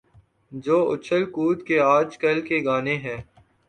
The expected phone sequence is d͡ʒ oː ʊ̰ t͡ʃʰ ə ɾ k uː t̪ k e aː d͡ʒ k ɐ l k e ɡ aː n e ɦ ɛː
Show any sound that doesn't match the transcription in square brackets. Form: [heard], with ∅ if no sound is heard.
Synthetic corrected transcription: d͡ʒ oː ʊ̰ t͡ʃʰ ə [l] k uː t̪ k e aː d͡ʒ k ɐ l k e ɡ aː n e ɦ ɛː